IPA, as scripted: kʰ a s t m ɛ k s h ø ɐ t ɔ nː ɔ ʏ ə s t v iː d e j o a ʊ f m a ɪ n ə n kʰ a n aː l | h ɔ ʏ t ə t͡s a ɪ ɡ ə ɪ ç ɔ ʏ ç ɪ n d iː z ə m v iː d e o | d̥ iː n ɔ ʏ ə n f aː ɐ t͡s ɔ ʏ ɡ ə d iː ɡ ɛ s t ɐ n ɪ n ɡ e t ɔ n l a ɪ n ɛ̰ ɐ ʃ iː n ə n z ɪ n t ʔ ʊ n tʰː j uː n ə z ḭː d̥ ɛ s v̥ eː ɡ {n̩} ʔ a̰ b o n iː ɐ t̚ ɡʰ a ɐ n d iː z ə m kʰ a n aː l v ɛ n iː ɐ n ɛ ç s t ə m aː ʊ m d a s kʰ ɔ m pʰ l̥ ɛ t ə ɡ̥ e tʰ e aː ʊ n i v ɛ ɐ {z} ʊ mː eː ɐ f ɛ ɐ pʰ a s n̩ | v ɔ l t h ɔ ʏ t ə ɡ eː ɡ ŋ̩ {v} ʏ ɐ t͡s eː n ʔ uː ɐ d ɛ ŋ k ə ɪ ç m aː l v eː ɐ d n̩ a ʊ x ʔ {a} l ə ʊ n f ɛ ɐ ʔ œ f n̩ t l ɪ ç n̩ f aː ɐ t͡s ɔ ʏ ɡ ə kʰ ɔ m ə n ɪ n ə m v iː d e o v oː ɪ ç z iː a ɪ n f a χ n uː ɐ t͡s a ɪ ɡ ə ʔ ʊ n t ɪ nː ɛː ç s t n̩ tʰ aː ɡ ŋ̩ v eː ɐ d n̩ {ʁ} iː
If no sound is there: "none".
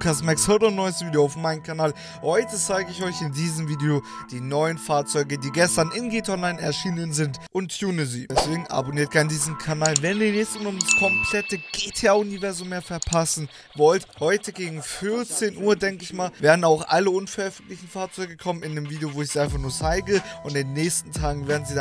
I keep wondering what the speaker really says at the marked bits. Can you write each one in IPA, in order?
ŋ̩, z, f, a, z

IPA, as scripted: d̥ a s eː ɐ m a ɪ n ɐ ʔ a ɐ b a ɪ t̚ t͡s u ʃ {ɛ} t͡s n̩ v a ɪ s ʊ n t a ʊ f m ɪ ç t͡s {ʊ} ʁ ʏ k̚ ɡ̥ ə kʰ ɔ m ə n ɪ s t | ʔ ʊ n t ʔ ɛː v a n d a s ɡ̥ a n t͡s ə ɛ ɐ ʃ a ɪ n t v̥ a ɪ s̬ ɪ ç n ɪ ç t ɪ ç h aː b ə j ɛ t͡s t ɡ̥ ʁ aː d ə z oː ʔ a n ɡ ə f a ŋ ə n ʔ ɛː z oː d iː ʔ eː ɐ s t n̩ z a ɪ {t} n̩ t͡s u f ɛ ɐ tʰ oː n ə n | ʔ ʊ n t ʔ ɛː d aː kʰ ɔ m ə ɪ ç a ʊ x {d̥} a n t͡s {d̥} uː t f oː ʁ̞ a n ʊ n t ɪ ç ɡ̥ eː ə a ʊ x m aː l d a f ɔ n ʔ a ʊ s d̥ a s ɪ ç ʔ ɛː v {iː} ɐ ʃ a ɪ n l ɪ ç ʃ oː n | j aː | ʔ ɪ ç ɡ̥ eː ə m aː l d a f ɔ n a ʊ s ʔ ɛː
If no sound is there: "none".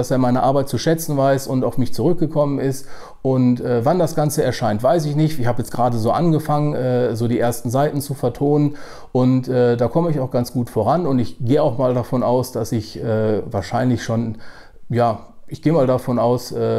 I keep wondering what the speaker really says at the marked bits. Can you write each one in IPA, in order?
ɛ, u, t, ɡ̥, ɡ̥, aː

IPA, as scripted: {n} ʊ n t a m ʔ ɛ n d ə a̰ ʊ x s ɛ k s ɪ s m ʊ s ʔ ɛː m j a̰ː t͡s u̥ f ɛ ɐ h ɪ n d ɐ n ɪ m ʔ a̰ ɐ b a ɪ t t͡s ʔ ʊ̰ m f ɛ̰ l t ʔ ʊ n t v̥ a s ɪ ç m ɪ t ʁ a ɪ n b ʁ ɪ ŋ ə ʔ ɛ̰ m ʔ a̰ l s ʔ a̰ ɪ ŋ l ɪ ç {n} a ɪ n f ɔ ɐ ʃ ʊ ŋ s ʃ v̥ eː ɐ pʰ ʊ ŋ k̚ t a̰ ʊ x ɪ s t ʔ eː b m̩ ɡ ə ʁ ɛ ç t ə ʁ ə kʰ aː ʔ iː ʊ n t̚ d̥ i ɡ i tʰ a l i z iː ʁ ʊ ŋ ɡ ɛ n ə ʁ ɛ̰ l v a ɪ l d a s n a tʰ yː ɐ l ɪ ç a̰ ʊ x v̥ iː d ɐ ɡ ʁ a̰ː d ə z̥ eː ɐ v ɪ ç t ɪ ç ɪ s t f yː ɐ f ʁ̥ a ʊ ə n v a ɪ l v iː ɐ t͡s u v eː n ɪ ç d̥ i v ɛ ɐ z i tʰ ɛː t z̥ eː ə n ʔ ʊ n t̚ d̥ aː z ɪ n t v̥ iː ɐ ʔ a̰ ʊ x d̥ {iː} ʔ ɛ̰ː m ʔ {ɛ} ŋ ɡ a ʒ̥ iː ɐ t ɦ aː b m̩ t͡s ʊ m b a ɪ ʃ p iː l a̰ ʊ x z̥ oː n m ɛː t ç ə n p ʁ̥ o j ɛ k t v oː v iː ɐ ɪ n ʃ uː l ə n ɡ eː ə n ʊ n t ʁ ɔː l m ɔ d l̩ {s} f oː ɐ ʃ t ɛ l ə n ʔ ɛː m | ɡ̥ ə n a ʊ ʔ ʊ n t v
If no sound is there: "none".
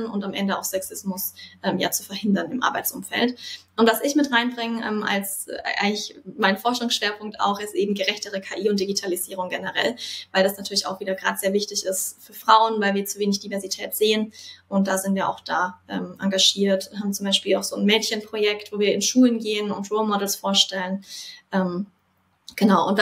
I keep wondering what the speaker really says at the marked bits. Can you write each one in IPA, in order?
n, m, aː, a, s

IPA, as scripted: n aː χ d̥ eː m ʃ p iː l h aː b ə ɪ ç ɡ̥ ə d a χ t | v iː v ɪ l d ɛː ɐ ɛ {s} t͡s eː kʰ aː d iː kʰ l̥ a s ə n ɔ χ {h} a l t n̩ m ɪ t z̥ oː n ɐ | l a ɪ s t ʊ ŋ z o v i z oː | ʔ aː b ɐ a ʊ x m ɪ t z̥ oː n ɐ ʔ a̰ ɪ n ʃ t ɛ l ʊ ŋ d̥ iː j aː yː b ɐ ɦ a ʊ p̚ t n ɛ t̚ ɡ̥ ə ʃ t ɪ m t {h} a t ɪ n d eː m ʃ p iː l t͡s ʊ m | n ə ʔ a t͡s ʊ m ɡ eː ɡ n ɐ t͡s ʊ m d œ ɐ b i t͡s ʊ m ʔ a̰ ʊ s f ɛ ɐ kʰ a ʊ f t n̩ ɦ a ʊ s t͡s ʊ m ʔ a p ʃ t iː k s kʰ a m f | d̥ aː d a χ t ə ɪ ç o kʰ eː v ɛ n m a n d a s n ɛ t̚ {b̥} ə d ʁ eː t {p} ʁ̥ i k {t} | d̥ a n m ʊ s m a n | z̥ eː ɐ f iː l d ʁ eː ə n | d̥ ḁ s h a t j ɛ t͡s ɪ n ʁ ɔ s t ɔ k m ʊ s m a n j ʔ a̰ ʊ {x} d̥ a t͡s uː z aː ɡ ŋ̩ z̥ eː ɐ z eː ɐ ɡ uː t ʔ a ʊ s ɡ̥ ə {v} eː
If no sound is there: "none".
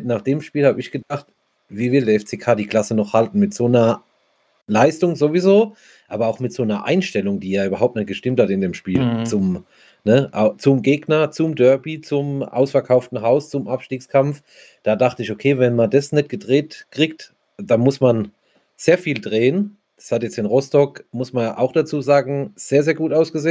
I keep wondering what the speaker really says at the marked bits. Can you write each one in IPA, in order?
f, h, h, ɡ̥, k, t, x, z

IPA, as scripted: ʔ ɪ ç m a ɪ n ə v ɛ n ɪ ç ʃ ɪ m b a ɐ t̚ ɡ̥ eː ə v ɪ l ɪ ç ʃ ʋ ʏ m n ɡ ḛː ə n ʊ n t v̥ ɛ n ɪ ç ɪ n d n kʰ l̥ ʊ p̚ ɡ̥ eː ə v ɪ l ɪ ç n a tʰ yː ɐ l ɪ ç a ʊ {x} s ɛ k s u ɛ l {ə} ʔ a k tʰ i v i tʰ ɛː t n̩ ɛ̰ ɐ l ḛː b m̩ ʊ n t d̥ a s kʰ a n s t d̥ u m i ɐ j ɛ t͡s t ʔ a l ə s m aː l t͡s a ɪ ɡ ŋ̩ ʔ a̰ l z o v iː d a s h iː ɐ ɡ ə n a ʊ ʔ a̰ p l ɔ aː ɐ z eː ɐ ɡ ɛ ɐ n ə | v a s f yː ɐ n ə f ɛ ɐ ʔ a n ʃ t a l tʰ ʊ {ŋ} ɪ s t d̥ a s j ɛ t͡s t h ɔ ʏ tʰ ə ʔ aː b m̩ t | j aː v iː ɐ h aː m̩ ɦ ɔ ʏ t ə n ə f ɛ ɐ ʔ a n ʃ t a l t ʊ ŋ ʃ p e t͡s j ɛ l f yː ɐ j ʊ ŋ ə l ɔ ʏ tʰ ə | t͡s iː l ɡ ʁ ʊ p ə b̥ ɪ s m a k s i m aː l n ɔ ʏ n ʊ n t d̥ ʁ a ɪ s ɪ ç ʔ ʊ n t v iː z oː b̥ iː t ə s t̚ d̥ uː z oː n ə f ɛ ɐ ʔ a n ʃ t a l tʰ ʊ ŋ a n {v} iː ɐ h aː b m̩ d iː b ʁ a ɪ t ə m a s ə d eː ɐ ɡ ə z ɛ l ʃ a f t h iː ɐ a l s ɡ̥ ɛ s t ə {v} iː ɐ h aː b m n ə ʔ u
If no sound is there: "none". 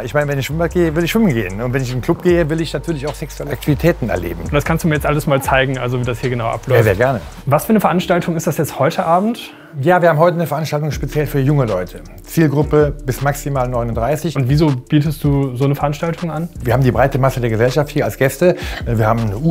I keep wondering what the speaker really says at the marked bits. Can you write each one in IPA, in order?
x, ə, ŋ, v, v

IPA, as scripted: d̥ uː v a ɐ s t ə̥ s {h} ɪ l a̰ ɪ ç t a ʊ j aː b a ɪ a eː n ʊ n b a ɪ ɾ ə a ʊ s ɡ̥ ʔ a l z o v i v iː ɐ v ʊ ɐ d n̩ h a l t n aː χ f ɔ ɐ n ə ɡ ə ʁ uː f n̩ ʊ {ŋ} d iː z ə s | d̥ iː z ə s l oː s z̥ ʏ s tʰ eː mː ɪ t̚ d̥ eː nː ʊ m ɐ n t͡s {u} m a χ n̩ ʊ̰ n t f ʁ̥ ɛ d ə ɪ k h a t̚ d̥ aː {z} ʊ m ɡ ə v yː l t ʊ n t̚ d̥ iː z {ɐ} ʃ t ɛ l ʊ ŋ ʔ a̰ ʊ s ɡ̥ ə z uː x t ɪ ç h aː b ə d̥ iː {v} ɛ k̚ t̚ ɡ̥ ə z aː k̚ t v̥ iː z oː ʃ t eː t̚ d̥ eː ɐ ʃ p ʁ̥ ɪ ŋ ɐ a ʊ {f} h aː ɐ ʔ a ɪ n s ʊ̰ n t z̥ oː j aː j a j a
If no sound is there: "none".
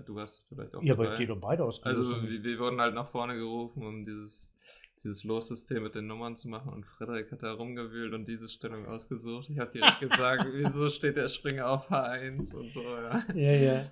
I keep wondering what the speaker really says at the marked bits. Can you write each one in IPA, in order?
f, m, u, ʁ, ə, ʁ, f

